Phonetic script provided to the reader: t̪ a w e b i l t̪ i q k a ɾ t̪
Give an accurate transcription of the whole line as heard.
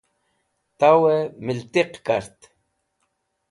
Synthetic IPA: t̪ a w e m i l t̪ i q k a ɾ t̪